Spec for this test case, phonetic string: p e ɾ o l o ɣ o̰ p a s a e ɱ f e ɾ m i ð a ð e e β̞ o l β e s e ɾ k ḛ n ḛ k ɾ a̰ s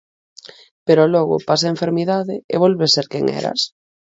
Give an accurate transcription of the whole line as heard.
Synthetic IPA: p e ɾ o l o ɣ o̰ p a s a e ɱ f e ɾ m i ð a ð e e β̞ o l β e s e ɾ k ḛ ŋ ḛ ɾ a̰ s